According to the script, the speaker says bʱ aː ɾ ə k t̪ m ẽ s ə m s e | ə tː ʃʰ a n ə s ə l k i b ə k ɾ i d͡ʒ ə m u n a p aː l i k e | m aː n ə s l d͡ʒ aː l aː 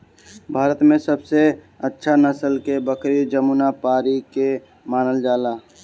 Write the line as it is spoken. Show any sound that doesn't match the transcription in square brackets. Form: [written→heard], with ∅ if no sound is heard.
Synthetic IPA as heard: bʱ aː ɾ ə [k→∅] t̪ m ẽ s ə [m→b] s e | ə tː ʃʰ a n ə s ə l k [i→e] b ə k ɾ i d͡ʒ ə m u n a p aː [l→ɾ] i k e | m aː n ə [s→∅] l d͡ʒ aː l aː